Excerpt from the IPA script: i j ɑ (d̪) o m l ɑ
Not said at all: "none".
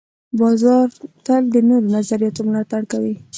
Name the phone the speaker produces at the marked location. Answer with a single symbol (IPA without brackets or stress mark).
t̪